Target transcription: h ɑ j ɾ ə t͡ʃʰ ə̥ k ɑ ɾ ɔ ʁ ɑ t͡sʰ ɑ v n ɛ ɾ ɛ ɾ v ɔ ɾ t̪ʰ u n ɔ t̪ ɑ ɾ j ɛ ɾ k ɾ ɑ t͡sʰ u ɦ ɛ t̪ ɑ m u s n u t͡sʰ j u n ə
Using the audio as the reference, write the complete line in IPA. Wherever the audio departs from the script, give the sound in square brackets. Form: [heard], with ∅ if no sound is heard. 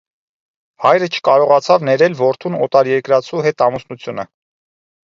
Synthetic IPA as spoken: h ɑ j ɾ ə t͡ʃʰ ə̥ k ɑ ɾ ɔ ʁ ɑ t͡sʰ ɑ v n ɛ ɾ ɛ [l] v ɔ ɾ t̪ʰ u n ɔ t̪ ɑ ɾ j ɛ ɾ k ɾ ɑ t͡sʰ u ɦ ɛ t̪ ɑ m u s n u t͡sʰ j u n ə